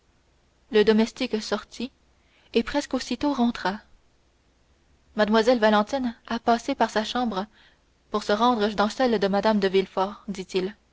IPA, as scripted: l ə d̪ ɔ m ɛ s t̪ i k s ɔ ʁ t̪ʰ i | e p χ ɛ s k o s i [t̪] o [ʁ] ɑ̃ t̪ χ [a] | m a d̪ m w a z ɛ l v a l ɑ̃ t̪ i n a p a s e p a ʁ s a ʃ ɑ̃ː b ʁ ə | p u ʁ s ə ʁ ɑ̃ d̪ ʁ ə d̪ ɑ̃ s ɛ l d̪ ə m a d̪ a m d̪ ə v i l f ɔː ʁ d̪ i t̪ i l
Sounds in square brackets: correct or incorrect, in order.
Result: correct, correct, correct

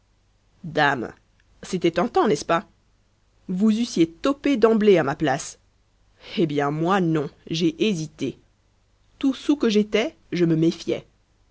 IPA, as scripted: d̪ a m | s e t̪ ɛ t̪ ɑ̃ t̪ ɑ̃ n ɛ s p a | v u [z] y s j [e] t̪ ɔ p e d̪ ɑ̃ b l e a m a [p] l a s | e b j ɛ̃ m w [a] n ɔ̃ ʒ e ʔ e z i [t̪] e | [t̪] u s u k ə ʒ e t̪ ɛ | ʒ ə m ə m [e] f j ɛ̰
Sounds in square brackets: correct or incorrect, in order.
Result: correct, correct, correct, correct, correct, correct, correct

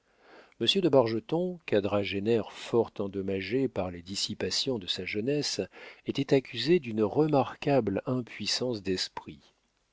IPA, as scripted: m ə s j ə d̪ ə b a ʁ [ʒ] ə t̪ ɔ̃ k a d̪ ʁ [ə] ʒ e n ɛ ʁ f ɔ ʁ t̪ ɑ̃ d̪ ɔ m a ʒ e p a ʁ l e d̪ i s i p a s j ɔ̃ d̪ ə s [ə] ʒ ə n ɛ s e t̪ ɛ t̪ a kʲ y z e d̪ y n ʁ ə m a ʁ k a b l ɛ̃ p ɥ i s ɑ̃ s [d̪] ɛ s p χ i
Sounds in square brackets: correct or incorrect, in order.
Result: correct, incorrect, incorrect, correct

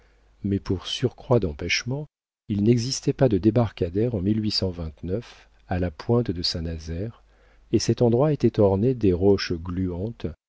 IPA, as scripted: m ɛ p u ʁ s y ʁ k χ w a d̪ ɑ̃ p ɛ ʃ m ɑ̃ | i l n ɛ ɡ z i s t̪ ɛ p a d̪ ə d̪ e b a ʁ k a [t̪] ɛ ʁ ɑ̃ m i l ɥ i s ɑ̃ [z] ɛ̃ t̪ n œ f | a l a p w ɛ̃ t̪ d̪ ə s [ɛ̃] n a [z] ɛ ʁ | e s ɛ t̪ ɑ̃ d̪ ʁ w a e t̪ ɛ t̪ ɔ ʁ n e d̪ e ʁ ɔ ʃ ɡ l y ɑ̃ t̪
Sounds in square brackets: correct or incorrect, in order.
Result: incorrect, incorrect, correct, correct

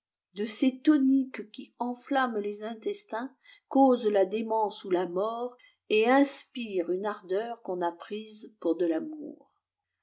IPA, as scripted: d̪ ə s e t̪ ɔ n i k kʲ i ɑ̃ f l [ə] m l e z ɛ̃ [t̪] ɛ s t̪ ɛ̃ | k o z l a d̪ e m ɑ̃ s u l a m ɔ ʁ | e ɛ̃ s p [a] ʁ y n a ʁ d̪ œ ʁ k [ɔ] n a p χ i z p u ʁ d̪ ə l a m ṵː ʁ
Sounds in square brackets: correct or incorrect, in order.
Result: incorrect, correct, incorrect, incorrect

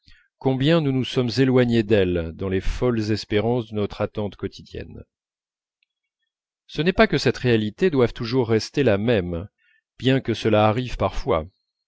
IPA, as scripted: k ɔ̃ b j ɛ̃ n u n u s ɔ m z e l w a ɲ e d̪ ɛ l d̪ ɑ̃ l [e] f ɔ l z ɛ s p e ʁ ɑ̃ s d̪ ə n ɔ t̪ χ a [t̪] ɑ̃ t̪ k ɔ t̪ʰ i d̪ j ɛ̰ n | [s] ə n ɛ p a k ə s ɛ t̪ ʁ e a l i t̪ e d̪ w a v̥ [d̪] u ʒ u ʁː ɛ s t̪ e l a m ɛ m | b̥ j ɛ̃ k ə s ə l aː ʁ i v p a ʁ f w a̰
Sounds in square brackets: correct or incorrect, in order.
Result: correct, correct, correct, incorrect

